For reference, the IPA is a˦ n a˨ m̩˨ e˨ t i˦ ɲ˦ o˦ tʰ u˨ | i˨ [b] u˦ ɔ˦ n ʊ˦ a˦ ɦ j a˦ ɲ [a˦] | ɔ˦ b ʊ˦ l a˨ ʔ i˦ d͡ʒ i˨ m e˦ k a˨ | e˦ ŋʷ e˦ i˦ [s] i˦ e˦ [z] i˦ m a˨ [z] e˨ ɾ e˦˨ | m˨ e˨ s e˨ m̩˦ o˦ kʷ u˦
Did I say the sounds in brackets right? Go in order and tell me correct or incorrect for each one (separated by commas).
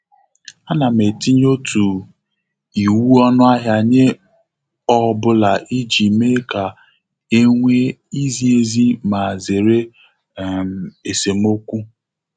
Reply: incorrect, incorrect, incorrect, correct, correct